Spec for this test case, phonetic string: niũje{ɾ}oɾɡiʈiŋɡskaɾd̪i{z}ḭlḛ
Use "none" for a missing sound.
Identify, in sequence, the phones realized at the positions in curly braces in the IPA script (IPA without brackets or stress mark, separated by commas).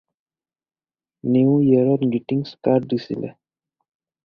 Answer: ɾ, s